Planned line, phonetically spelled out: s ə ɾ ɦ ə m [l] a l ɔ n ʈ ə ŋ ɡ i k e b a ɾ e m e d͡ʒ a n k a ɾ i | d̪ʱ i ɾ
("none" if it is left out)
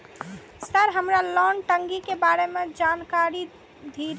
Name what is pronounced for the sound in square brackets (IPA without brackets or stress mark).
ɾ